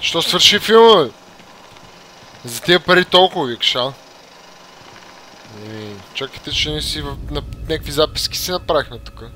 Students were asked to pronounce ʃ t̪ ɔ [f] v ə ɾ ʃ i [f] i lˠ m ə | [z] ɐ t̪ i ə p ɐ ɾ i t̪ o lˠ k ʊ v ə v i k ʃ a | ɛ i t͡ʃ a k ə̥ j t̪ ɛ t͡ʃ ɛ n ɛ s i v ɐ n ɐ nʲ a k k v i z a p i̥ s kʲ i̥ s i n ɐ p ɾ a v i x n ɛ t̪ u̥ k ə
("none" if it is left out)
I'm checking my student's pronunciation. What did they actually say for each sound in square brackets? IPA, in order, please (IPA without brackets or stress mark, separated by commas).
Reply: s, f, z